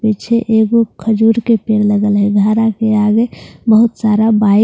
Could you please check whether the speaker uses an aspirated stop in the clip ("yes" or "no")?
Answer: yes